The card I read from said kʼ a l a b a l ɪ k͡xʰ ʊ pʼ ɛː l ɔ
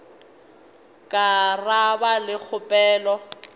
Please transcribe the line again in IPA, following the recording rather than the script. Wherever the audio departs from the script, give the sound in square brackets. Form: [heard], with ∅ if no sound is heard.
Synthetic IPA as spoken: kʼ a [r] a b a l ɪ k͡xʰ ʊ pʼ ɛː l ɔ